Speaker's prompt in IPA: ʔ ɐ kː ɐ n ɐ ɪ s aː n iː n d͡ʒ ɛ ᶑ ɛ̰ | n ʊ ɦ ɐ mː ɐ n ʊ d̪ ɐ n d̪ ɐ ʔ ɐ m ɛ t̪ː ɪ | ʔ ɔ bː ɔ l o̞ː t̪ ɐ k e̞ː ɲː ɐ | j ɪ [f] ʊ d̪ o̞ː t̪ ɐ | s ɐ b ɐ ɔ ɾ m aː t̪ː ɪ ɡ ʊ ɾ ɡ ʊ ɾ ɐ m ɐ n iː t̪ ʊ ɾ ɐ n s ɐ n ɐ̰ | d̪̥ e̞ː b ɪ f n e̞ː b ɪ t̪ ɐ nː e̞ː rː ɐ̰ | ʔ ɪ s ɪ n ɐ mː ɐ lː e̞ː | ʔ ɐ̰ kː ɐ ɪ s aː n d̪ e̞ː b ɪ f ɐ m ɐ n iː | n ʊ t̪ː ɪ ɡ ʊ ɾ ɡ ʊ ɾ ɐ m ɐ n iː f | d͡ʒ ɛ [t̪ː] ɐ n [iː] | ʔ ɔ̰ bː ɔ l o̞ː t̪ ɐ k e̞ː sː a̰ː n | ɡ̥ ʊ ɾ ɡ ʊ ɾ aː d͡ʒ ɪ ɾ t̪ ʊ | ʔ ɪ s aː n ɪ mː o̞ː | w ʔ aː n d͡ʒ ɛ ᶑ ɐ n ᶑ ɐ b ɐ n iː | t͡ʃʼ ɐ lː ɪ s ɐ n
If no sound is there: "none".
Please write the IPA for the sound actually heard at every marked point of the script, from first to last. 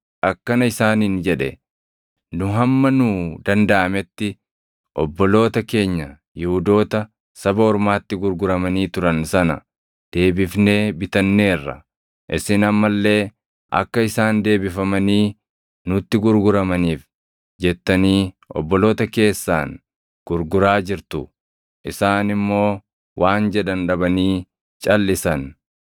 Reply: h, t̪ː, iː

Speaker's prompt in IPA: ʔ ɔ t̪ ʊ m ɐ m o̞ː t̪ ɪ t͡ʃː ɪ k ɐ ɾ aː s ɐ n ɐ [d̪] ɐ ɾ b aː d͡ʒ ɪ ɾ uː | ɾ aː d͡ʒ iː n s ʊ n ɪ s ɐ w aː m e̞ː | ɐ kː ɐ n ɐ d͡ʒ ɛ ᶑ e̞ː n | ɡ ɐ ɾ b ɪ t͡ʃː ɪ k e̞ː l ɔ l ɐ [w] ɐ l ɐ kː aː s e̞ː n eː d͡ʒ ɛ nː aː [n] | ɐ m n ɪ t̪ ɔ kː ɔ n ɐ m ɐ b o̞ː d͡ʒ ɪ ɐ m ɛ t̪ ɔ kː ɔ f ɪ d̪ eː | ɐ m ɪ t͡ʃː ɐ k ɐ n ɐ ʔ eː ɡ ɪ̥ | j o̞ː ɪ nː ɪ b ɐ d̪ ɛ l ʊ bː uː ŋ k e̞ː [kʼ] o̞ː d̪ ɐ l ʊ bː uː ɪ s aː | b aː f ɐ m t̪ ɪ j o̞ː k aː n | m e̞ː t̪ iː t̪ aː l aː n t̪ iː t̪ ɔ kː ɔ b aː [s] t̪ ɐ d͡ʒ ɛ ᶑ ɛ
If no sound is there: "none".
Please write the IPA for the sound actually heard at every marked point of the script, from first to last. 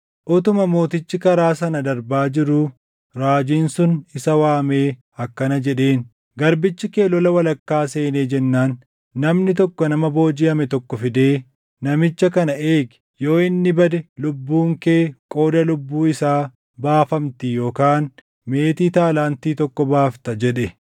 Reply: d̪, w, nː, kʼ, f

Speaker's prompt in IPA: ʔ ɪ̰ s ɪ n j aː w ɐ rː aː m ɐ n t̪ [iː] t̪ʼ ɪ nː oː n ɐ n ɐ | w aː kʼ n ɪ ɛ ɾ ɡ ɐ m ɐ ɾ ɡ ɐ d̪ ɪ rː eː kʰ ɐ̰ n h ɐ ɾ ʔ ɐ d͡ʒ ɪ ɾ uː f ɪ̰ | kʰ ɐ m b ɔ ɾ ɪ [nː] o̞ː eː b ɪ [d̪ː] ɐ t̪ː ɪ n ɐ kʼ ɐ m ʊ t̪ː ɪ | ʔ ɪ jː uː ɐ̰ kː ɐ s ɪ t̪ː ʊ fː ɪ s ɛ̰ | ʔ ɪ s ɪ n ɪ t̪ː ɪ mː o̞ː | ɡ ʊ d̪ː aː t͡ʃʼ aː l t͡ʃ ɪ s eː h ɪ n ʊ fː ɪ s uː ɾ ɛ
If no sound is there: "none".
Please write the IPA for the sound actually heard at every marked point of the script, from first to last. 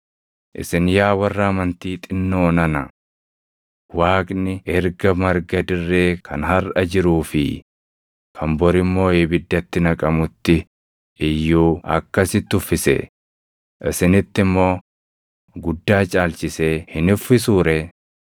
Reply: iː, mː, d̪ː

